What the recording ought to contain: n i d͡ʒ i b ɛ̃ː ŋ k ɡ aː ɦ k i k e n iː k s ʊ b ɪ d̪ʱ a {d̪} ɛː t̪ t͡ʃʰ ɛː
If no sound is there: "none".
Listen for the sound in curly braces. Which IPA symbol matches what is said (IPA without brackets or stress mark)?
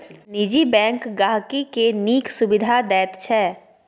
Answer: d̪